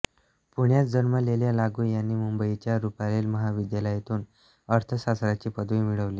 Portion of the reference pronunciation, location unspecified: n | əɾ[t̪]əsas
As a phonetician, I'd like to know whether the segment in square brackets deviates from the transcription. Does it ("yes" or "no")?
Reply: yes